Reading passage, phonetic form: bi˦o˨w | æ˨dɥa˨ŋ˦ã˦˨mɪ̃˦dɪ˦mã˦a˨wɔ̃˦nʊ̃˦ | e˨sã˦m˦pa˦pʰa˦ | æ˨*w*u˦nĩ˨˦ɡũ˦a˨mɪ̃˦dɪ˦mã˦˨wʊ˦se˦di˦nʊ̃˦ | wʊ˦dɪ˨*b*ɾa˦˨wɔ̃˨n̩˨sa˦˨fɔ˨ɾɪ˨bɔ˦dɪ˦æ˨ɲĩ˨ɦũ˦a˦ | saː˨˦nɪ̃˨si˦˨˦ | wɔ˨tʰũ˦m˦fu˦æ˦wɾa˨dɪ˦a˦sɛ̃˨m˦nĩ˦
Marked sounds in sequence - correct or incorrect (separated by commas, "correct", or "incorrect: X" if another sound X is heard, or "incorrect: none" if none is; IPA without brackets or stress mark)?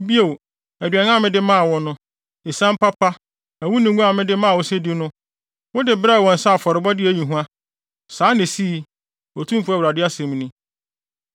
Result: correct, correct